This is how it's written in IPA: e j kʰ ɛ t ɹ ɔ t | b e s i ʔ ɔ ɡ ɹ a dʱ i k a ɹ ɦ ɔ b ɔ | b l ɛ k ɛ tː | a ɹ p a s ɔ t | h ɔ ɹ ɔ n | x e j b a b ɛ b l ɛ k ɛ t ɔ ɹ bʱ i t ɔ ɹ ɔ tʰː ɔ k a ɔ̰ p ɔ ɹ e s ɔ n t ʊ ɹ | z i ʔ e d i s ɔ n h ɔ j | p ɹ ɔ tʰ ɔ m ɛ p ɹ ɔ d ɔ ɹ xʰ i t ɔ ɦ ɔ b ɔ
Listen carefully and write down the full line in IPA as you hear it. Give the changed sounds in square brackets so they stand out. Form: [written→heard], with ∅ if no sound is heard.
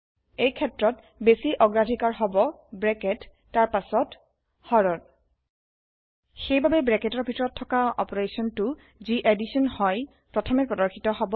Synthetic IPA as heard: e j kʰ ɛ t ɹ ɔ t | b e s i ʔ ɔ ɡ ɹ a dʱ i k a ɹ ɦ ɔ b ɔ | b [l→ɹ] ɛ k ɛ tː | a ɹ p a s ɔ t | h ɔ ɹ ɔ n | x e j b a b ɛ b [l→ɹ] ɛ k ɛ t ɔ ɹ bʱ i t ɔ ɹ ɔ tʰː ɔ k a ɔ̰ p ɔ ɹ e s ɔ n t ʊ [ɹ→∅] | z i ʔ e d i s ɔ n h ɔ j | p ɹ ɔ tʰ ɔ m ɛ p ɹ ɔ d ɔ ɹ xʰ i t ɔ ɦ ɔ b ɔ